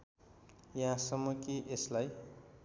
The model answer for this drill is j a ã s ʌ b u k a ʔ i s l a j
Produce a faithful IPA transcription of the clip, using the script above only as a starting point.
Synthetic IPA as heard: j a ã s ʌ m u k i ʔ e s l a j